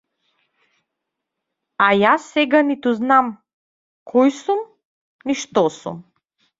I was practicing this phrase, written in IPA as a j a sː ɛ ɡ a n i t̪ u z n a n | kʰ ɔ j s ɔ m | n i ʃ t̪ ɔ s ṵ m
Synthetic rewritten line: a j a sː ɛ ɡ a n i t̪ u z n a m | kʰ ɔ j s u m | n i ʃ t̪ ɔ s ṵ m